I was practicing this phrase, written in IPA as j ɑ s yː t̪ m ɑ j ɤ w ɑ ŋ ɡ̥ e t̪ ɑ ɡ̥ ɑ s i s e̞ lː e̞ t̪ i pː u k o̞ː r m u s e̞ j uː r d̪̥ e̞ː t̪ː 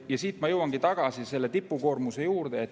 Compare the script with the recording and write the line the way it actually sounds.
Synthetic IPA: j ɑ s iː t̪ m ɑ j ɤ w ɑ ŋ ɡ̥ i t̪ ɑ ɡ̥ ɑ s i s e̞ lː e̞ t̪ i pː u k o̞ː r m u s e̞ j uː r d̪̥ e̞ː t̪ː